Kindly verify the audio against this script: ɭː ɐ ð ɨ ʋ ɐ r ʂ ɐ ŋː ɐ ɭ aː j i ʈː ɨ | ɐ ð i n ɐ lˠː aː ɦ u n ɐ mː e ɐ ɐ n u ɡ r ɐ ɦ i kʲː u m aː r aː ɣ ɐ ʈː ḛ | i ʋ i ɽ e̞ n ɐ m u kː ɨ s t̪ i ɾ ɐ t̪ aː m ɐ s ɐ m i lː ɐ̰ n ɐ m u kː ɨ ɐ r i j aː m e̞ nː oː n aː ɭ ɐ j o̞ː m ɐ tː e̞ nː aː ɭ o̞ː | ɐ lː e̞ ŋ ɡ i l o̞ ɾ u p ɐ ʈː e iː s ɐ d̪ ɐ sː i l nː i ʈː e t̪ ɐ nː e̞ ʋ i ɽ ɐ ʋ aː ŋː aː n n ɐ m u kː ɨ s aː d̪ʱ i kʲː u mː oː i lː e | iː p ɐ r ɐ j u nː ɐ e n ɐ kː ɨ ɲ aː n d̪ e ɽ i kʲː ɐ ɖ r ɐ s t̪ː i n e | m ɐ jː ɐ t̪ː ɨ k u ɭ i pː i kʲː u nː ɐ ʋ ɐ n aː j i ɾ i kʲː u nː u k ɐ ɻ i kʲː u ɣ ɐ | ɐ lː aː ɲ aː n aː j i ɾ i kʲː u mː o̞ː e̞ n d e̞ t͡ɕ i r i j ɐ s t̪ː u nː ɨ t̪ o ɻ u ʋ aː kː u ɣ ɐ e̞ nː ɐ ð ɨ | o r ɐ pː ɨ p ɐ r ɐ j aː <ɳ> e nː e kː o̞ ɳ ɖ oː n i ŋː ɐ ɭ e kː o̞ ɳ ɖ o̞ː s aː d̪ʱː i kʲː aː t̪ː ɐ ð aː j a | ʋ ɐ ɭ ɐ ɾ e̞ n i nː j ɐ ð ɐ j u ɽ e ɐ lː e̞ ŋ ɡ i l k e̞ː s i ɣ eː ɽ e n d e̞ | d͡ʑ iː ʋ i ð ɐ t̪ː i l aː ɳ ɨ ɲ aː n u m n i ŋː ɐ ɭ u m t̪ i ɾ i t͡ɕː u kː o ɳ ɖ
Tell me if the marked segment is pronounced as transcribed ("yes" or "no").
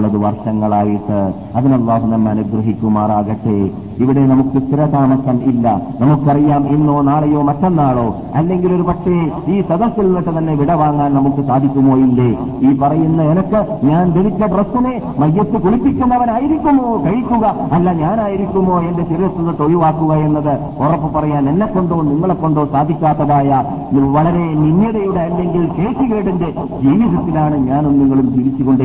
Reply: no